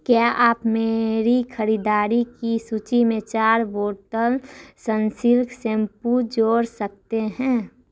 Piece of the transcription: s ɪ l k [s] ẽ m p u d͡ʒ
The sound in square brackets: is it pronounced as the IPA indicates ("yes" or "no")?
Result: yes